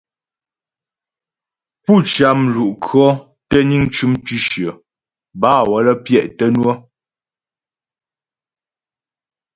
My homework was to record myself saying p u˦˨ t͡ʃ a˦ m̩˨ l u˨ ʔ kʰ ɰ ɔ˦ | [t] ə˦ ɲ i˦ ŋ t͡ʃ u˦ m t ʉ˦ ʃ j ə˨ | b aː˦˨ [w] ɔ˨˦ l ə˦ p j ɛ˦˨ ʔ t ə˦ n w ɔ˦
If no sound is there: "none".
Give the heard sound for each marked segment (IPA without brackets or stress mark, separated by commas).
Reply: t, w